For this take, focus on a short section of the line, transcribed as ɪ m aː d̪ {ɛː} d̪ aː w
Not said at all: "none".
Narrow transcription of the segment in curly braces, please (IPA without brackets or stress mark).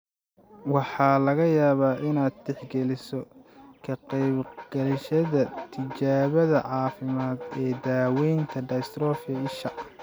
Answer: ɛː